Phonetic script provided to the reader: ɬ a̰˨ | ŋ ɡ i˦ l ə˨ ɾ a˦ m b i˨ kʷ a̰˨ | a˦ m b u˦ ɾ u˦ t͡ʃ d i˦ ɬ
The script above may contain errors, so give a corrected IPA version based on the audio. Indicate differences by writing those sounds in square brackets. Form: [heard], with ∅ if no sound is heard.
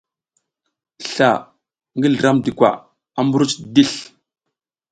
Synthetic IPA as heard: ɬ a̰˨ | ŋ ɡ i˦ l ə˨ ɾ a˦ m [d] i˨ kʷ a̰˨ | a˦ m b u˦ ɾ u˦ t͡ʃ d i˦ ɬ

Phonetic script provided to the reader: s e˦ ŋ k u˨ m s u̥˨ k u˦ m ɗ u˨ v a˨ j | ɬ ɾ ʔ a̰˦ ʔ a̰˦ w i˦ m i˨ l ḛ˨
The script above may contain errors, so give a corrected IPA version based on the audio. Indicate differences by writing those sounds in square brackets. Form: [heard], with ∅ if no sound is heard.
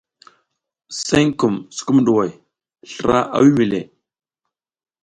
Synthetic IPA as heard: s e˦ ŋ k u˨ m s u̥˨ k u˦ m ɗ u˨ [w] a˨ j | ɬ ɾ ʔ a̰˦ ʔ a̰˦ w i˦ m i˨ l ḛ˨

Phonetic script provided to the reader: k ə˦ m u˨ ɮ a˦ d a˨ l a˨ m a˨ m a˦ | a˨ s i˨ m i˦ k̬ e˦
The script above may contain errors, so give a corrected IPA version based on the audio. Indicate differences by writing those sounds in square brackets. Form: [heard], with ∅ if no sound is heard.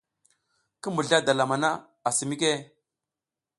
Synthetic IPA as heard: k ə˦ m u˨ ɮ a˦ d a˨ l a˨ m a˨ [n] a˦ | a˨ s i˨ m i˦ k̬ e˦

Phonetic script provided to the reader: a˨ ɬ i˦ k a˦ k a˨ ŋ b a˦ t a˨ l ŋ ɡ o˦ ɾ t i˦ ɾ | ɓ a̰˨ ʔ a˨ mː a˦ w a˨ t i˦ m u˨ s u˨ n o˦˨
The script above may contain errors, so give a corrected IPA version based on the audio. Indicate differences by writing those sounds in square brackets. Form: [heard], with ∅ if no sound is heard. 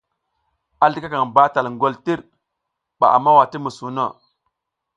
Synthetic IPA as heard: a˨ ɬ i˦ k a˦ k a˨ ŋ b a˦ t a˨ l ŋ ɡ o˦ [l] t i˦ ɾ | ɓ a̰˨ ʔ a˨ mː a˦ w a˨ t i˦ m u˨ s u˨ n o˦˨

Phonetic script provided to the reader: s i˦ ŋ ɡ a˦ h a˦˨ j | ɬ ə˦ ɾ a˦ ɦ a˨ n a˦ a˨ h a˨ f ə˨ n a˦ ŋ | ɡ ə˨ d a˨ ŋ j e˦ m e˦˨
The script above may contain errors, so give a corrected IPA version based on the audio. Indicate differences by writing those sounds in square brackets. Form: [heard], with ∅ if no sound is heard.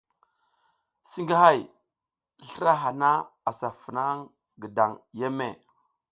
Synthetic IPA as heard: s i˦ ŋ ɡ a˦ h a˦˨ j | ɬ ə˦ ɾ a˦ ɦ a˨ n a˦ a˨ [s] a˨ f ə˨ n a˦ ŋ | ɡ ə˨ d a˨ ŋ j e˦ m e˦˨

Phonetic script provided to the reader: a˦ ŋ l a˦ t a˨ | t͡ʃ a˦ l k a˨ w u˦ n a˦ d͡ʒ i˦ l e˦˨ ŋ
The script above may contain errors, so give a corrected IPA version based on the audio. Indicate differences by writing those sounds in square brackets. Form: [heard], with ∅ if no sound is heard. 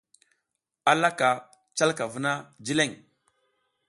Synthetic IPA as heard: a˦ [∅] l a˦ [k] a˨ | t͡ʃ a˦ l k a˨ [v] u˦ n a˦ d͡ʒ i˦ l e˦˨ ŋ

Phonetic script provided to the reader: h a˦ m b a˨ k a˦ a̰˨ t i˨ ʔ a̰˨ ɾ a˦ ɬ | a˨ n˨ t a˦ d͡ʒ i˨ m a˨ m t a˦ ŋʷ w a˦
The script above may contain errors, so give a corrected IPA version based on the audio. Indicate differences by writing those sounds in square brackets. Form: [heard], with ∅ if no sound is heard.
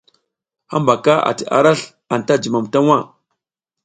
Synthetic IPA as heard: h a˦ m b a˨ k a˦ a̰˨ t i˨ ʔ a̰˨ ɾ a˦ ɬ | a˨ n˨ t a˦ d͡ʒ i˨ m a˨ m t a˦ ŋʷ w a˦

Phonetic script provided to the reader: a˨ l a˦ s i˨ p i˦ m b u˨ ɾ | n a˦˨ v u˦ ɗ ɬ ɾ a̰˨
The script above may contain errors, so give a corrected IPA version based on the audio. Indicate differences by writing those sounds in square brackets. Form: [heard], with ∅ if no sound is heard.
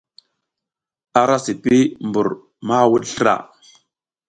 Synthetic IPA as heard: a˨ [ɾ] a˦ s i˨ p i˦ m b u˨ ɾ | [m] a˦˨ [w] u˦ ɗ ɬ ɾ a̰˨

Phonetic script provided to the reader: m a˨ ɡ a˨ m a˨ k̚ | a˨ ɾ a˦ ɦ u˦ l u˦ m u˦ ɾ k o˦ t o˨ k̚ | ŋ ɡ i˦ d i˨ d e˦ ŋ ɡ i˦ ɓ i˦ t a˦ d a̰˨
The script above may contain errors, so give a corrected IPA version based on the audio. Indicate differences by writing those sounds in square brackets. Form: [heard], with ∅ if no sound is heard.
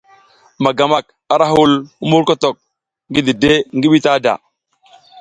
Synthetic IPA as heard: m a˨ ɡ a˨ m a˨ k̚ | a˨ ɾ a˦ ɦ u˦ l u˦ m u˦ ɾ k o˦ t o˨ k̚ | ŋ ɡ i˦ d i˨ d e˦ ŋ ɡ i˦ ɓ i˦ t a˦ d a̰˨

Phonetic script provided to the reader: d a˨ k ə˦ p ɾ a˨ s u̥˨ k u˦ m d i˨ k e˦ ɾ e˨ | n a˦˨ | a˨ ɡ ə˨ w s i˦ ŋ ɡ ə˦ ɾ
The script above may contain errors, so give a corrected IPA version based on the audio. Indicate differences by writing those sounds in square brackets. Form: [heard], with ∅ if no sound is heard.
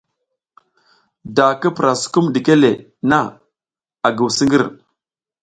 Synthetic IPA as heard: d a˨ k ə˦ p ɾ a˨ s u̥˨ k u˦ m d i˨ k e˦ [l] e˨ | n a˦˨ | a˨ ɡ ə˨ w s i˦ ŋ ɡ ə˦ ɾ

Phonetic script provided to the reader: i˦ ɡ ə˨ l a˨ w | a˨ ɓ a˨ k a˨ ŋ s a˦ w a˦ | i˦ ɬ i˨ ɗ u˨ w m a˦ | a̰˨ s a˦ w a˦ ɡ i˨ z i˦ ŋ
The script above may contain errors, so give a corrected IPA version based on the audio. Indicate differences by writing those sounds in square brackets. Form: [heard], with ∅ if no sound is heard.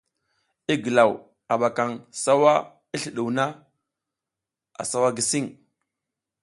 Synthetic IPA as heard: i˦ ɡ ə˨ l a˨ w | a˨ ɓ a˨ k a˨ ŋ s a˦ w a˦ | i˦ ɬ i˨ ɗ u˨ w [n] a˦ | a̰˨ s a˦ w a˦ ɡ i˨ [s] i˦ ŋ

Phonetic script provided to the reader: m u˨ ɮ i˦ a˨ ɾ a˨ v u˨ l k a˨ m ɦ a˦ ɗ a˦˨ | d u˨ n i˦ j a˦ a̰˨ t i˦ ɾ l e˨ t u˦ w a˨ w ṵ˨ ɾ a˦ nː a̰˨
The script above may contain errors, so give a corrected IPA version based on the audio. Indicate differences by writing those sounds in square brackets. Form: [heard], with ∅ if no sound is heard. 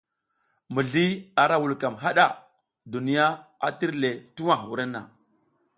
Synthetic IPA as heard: m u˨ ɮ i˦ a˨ ɾ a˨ [w] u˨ l k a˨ m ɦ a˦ ɗ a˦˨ | d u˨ n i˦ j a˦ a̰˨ t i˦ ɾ l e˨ t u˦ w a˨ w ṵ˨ ɾ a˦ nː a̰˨

